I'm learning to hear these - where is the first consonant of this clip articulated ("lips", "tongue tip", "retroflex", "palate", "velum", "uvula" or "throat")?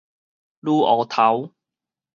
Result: tongue tip